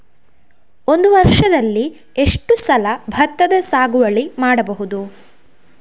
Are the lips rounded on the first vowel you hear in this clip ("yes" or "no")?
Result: yes